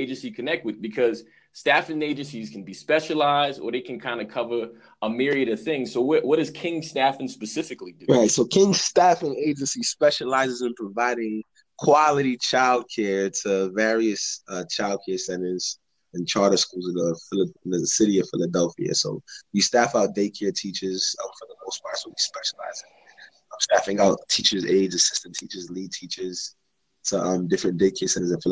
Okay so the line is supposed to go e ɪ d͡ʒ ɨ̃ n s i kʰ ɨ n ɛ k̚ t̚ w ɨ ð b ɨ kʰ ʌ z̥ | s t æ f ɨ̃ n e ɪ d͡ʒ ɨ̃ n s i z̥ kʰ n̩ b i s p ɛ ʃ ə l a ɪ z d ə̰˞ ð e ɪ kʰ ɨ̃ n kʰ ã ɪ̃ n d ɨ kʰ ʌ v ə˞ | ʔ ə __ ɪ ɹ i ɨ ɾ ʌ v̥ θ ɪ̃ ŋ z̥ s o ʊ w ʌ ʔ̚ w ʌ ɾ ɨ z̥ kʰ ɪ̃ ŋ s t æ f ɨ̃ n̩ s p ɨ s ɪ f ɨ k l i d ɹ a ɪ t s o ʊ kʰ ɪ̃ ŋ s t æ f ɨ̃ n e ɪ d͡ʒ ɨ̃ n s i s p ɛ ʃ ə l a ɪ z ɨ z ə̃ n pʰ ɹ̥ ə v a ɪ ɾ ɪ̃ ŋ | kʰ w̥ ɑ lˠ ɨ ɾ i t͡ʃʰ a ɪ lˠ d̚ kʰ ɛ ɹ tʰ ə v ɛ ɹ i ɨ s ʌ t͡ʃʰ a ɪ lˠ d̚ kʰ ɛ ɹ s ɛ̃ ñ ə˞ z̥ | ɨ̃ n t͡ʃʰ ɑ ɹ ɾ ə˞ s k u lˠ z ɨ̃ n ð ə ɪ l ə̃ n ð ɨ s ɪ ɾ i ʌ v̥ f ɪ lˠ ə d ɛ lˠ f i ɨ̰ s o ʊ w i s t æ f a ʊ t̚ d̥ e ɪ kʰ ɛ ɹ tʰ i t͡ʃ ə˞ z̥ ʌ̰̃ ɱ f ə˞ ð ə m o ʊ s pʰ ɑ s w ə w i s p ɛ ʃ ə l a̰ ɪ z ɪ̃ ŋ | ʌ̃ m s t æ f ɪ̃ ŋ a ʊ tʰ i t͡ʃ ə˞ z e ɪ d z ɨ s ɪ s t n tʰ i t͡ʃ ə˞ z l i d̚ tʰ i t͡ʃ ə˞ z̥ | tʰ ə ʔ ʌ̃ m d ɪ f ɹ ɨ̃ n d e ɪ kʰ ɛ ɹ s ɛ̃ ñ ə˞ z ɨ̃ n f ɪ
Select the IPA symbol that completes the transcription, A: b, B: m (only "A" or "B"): B